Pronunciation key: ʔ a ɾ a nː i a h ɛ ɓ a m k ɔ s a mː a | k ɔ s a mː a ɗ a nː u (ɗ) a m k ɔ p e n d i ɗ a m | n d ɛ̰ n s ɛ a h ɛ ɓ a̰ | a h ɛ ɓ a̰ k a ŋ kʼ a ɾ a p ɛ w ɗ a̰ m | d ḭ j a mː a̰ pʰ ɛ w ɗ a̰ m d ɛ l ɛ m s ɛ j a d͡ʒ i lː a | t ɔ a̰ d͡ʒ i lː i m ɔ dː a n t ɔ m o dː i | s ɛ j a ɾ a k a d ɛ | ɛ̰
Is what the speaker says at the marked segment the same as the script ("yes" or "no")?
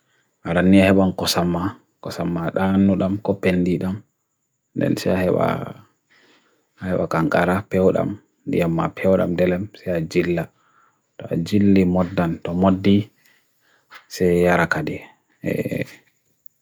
yes